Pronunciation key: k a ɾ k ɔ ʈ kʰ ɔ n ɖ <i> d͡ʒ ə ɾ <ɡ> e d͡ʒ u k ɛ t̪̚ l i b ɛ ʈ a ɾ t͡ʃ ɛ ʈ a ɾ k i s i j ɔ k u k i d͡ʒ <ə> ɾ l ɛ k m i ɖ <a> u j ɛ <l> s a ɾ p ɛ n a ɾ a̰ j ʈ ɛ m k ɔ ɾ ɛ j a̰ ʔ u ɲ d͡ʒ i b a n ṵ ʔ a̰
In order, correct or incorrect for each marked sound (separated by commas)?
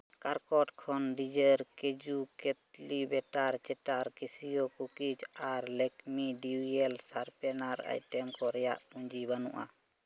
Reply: correct, incorrect, incorrect, incorrect, correct